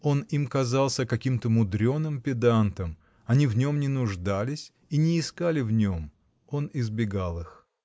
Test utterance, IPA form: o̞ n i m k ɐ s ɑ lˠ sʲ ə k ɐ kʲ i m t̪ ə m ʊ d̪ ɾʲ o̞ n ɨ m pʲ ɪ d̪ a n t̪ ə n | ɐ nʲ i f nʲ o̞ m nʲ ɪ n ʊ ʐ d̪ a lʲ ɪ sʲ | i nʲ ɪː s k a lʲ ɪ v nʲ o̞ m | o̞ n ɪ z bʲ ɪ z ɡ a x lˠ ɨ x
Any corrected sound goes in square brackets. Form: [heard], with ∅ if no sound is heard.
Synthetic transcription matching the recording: o̞ n i m k ɐ [z] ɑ lˠ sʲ ə k ɐ kʲ i m t̪ ə m ʊ d̪ ɾʲ o̞ n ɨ m pʲ ɪ d̪ a n t̪ ə [m] | ɐ nʲ i [v] nʲ o̞ m nʲ ɪ n ʊ ʐ d̪ a lʲ ɪ sʲ | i nʲ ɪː s k a lʲ ɪ v nʲ o̞ m | o̞ n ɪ z bʲ ɪ [∅] ɡ a [∅] lˠ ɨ x